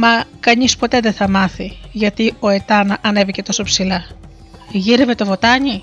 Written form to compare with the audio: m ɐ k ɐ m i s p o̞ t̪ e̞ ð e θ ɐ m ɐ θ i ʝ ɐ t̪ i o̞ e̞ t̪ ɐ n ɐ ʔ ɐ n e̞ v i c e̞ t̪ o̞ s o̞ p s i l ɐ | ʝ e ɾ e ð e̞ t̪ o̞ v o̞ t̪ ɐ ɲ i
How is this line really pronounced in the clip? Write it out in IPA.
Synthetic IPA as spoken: m ɐ k ɐ ɲ i s p o̞ t̪ e̞ ð e θ ɐ m ɐ θ i ʝ ɐ t̪ i o̞ e̞ t̪ ɐ n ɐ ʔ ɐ n e̞ v i c e̞ t̪ o̞ s o̞ p s i l ɐ | ʝ i ɾ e v e̞ t̪ o̞ v o̞ t̪ ɐ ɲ i